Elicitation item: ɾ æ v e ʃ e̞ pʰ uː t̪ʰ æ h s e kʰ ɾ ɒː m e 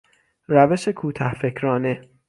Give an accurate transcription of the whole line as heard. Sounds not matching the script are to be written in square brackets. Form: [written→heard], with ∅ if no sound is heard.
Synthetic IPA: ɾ æ v e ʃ e̞ [pʰ→kʰ] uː t̪ʰ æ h [s→f] e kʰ ɾ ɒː [m→n] e

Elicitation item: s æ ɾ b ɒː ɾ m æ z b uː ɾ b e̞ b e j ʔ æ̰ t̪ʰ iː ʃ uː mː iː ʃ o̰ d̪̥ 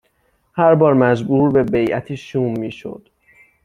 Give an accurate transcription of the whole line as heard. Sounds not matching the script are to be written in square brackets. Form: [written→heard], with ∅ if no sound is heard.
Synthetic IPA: [s→h] æ ɾ b ɒː ɾ m æ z b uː ɾ b e̞ b e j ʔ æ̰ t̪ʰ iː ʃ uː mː iː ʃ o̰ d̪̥

